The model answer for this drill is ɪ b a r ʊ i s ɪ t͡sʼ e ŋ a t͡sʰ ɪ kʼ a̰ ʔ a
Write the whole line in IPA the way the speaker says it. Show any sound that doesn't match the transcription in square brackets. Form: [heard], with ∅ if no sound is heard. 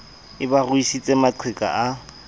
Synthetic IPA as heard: ɪ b a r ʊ i s [i] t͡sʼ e [m] a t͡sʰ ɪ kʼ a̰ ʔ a

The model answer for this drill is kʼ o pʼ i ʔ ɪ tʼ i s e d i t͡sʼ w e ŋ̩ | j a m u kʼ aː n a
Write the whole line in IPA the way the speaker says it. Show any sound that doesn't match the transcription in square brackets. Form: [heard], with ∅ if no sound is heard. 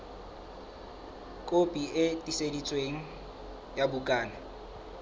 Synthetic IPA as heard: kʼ o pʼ i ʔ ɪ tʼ i s e d i t͡sʼ w e ŋ̩ | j a [b] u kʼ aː n a

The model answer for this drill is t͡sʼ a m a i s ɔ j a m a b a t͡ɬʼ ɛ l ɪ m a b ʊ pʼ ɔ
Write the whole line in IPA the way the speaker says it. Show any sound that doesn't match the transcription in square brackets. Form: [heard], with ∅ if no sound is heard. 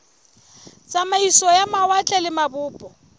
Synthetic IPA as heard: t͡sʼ a m a i s ɔ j a m a [w] a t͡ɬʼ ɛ l ɪ m a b [ʊː] pʼ ɔ

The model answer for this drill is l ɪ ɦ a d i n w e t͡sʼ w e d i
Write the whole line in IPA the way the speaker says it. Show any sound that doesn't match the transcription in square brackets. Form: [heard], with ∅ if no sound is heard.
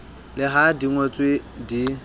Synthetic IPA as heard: l ɪ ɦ a d i [ŋ] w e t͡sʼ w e d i

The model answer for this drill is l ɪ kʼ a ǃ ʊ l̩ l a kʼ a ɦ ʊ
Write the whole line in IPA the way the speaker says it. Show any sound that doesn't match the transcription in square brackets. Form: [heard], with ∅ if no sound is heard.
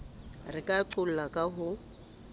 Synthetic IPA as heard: [r] ɪ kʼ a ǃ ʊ l̩ l a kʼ a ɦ ʊ

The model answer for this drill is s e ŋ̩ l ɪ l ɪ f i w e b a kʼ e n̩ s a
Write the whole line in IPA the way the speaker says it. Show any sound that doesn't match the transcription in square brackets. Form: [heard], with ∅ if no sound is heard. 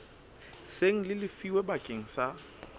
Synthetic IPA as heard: s e ŋ̩ l ɪ l ɪ f i w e b a kʼ e [ŋ̩] s a

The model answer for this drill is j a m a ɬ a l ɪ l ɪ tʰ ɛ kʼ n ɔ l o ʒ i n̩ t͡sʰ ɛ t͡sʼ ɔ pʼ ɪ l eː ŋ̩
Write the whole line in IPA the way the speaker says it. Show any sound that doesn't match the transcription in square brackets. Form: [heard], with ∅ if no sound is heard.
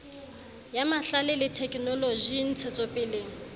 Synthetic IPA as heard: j a m a ɬ a l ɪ l ɪ tʰ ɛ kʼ n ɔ l o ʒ i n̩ t͡sʰ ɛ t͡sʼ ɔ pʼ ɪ l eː ŋ̩

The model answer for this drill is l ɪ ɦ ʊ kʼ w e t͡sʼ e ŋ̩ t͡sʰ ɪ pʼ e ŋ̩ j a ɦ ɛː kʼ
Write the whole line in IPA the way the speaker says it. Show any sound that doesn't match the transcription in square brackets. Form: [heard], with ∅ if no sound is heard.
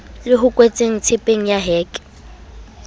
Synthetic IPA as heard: l ɪ ɦ ʊ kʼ w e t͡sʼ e ŋ̩ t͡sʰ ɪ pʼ e ŋ̩ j a ɦ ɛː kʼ

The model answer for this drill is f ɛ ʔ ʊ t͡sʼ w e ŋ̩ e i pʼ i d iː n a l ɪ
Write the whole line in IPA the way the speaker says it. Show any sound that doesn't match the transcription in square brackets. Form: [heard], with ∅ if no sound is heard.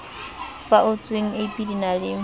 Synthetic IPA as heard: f [a] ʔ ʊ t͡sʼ w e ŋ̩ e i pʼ i d [i] n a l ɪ

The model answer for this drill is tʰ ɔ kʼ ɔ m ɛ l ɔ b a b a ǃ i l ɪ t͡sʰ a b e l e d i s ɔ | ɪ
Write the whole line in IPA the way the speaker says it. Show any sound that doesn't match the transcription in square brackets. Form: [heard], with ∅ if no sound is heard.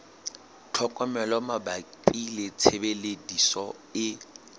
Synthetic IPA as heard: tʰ ɔ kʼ ɔ m ɛ l ɔ [m] a b a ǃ i l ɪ t͡sʰ [e] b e l e d i s ɔ | ɪ

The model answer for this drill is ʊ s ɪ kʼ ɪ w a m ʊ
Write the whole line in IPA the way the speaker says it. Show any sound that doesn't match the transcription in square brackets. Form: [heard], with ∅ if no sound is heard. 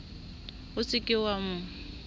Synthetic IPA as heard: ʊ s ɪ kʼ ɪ w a m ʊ

